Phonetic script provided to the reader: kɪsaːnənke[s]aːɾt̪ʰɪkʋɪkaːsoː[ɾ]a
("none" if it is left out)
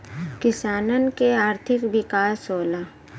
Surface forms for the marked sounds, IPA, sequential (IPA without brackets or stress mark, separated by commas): none, l